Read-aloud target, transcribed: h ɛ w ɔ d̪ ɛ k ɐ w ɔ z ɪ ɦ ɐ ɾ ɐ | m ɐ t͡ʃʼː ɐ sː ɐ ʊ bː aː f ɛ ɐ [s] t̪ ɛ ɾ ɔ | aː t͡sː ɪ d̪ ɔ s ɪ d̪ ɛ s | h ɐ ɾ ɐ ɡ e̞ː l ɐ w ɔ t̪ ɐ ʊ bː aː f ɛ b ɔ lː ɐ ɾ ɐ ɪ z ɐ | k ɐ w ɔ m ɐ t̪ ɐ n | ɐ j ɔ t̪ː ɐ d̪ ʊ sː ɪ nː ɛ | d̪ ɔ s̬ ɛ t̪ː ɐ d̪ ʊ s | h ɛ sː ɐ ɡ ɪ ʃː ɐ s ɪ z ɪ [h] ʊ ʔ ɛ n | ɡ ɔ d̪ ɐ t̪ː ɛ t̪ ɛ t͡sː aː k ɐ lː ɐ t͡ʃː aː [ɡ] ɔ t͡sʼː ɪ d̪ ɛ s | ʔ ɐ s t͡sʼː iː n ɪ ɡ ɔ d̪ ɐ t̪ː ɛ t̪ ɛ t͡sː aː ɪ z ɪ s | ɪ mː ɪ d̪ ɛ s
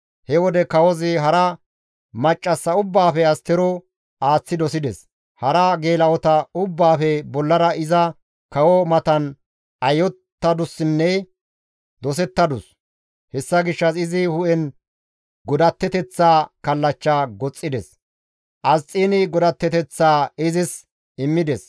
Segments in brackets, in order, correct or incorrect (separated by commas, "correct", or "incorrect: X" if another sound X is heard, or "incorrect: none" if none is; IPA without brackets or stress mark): correct, correct, correct